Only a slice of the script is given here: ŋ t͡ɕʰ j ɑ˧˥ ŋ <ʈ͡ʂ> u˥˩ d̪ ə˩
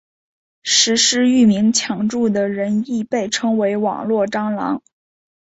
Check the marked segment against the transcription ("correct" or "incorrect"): correct